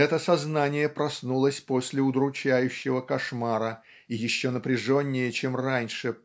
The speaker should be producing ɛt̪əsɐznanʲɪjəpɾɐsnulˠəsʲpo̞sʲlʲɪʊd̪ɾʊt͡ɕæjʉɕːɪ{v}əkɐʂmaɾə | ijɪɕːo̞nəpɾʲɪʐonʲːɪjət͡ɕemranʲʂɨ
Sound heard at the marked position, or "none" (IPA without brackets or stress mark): v